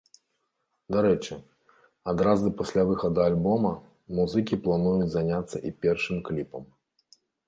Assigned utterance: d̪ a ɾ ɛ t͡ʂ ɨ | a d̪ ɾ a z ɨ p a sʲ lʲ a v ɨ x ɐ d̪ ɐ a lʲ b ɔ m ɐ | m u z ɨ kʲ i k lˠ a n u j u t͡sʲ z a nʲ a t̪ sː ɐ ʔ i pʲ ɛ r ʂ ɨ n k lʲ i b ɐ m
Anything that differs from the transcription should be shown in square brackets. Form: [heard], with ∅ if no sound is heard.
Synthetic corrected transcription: d̪ a ɾ ɛ t͡ʂ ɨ | a d̪ ɾ a z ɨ p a sʲ lʲ a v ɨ x ɐ d̪ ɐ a lʲ b ɔ m ɐ | m u z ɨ kʲ i [p] lˠ a n u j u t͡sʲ z a nʲ a t̪ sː ɐ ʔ i pʲ ɛ r ʂ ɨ [m] k lʲ i [p] ɐ m

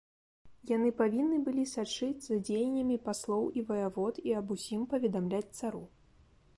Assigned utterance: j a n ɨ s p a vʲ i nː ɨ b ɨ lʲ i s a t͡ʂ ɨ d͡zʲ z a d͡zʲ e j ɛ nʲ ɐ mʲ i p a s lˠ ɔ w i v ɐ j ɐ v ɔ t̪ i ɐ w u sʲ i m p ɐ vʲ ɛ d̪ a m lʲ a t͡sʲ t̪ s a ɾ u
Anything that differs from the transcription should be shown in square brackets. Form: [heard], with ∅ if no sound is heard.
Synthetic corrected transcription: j a n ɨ [∅] p a vʲ i nː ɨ b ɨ lʲ i s a t͡ʂ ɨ d͡zʲ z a d͡zʲ e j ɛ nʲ ɐ mʲ i p a s lˠ ɔ w i v ɐ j [a] v ɔ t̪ i ɐ [b] u sʲ i m p ɐ vʲ ɛ d̪ a m lʲ a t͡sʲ t̪ s a ɾ u

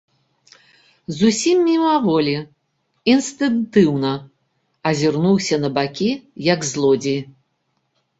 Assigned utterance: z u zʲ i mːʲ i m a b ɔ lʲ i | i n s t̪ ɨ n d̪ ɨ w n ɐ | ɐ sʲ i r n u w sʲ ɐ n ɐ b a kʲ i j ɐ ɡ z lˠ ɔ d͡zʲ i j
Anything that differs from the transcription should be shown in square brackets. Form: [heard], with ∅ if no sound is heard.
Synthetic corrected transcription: z u [sʲ] i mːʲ i m a [v] ɔ lʲ i | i n s t̪ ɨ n [t̪] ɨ w n ɐ | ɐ [zʲ] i r n u w sʲ ɐ n ɐ b a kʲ i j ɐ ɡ z lˠ ɔ d͡zʲ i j

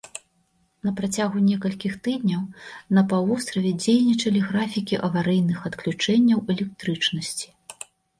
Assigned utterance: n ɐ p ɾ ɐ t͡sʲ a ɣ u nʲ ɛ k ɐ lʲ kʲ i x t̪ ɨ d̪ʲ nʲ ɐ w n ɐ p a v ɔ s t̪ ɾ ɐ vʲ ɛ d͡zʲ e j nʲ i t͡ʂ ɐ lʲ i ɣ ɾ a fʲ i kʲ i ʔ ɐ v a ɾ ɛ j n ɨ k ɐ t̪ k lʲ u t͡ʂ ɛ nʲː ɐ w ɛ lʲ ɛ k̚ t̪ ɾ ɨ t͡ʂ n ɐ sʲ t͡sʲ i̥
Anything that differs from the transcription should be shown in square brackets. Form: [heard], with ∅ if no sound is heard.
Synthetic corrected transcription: n ɐ p ɾ [a] t͡sʲ a ɣ u nʲ ɛ k ɐ lʲ kʲ i x t̪ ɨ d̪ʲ nʲ ɐ w n ɐ p a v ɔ s t̪ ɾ ɐ vʲ ɛ d͡zʲ e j nʲ i t͡ʂ ɐ lʲ i ɣ ɾ a fʲ i kʲ i ʔ ɐ v a ɾ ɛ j n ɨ [x] ɐ t̪ k lʲ u t͡ʂ ɛ nʲː ɐ w ɛ lʲ ɛ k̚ t̪ ɾ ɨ t͡ʂ n ɐ sʲ t͡sʲ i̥

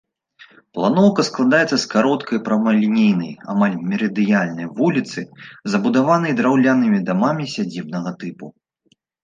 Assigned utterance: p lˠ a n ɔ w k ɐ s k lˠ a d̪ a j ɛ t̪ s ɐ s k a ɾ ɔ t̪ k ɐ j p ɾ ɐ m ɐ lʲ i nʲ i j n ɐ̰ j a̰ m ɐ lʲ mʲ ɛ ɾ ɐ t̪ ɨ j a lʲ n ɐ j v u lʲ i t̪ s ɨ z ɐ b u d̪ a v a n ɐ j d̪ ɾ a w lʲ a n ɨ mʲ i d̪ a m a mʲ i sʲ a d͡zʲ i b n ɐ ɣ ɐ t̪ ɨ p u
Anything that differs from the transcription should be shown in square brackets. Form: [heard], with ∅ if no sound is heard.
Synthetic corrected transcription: p lˠ a n ɔ w k ɐ s k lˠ a d̪ a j ɛ t̪ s ɐ s k a ɾ ɔ t̪ k ɐ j p ɾ ɐ m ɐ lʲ i nʲ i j n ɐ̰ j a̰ m [a] lʲ mʲ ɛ ɾ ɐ [d̪] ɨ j a lʲ n ɐ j v u lʲ i t̪ s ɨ z ɐ b u d̪ a v a n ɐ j d̪ ɾ a w lʲ a n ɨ mʲ i d̪ a m a mʲ i sʲ a d͡zʲ i b n ɐ ɣ ɐ t̪ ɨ p u

